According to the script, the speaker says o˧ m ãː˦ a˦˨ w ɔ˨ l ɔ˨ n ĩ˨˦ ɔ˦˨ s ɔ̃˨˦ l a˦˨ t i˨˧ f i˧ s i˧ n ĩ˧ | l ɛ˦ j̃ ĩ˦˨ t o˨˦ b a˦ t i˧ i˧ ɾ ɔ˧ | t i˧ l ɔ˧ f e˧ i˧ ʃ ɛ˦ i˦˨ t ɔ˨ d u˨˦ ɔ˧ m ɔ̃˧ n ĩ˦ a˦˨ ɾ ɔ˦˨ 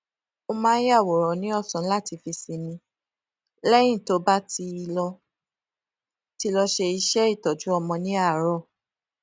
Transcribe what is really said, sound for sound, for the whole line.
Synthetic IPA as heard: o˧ m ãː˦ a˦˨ w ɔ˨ ɾ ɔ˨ n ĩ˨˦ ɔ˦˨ s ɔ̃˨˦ l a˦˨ t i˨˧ f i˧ s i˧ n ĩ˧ | l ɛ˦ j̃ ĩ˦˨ t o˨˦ b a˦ t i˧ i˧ l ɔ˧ | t i˧ l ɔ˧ ʃ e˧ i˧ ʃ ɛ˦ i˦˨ t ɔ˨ d͡ʒ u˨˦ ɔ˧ m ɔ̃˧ n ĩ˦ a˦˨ ɾ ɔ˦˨